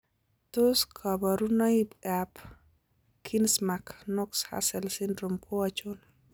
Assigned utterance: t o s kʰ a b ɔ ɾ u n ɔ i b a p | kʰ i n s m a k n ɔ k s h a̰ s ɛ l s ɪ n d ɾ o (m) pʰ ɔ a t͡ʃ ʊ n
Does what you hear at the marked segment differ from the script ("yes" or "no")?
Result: no